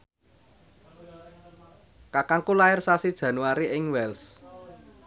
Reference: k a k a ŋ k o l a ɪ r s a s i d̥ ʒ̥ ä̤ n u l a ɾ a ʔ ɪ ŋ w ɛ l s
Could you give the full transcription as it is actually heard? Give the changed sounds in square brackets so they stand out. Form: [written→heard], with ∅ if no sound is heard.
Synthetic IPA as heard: k a k a ŋ k [o→u] l a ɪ r s a s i d̥ ʒ̥ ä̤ n u [l→∅] a ɾ [a→i] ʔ ɪ ŋ w ɛ l s